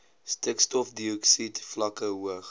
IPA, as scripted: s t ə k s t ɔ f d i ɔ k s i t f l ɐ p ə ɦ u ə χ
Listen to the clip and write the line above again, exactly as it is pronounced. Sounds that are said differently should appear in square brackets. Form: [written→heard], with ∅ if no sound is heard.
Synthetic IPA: s t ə k s t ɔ f d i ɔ k s i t f l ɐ [p→k] ə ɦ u ə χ